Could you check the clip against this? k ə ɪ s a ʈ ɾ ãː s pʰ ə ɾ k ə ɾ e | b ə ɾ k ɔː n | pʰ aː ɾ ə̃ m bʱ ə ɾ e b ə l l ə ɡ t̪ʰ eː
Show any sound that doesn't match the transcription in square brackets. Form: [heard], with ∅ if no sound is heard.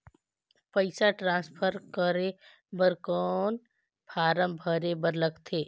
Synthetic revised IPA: [p] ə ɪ s a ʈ ɾ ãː s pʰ ə ɾ k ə ɾ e | b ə ɾ k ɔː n | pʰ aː ɾ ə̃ m bʱ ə ɾ e b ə [ɾ] l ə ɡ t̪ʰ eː